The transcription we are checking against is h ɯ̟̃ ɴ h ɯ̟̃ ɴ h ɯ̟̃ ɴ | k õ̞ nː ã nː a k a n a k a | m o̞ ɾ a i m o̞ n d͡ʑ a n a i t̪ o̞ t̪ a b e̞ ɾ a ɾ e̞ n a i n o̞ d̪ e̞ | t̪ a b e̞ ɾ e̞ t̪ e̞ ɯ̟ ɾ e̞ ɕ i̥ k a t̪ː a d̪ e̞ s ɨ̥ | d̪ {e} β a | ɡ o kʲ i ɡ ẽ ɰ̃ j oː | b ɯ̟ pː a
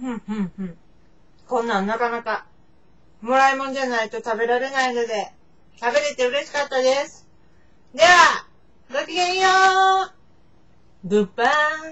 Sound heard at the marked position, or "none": e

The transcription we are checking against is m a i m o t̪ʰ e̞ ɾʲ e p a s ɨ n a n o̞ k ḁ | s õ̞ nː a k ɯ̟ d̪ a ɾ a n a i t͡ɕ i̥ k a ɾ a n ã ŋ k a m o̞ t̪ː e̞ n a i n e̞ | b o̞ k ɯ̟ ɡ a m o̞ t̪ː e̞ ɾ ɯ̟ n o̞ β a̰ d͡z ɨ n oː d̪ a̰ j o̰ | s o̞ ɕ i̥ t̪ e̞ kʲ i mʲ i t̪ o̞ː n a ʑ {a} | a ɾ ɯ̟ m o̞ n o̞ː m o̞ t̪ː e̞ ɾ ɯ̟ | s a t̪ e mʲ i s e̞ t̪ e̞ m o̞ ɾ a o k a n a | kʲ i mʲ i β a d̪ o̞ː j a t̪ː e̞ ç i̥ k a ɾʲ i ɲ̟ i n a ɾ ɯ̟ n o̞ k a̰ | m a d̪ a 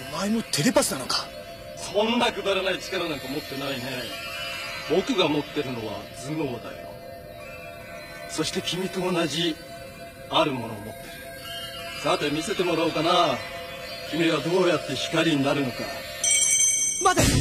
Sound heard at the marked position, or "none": i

